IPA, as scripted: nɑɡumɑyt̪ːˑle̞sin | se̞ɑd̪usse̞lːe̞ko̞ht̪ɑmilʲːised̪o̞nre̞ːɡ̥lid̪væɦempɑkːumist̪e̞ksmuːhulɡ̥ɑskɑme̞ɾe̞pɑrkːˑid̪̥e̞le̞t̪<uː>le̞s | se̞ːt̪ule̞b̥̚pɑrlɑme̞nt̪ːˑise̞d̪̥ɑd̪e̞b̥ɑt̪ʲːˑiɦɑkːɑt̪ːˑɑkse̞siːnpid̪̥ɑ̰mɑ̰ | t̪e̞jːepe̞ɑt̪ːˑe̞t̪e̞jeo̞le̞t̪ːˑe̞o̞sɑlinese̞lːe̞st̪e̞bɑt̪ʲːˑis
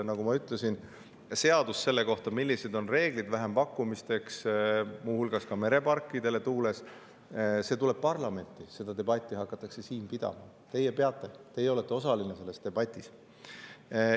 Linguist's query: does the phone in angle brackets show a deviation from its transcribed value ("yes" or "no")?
no